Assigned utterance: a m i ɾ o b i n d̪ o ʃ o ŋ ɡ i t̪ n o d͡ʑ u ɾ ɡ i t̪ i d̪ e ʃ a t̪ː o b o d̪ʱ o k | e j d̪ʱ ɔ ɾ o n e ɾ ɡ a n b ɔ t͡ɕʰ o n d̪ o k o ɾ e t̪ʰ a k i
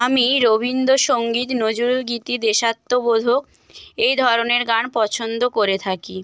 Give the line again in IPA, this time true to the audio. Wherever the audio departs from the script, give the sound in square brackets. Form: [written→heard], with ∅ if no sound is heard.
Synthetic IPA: a m i ɾ o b i n d̪ o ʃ o ŋ ɡ i t̪ n o d͡ʑ u ɾ ɡ i t̪ i d̪ e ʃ a t̪ː o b o d̪ʱ o k | e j d̪ʱ ɔ ɾ o n e ɾ ɡ a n [b→p] ɔ t͡ɕʰ o n d̪ o k o ɾ e t̪ʰ a k i